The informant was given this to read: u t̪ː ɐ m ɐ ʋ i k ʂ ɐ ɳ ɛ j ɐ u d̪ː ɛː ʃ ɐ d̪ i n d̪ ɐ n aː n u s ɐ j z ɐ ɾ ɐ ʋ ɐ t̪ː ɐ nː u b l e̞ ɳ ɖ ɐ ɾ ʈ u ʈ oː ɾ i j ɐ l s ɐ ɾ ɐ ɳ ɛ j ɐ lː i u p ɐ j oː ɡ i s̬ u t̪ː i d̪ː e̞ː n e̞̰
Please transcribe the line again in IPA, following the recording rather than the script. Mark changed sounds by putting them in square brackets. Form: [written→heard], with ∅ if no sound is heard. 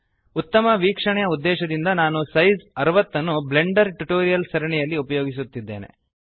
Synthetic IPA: u t̪ː ɐ m ɐ ʋ [i→iː] k ʂ ɐ ɳ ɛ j ɐ u d̪ː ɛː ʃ ɐ d̪ i n d̪ ɐ n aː n u s ɐ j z ɐ ɾ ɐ ʋ ɐ t̪ː ɐ nː u b l e̞ ɳ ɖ ɐ ɾ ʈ u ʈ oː ɾ i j ɐ l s ɐ ɾ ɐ ɳ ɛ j ɐ lː i u p ɐ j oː ɡ i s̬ u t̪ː i d̪ː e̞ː n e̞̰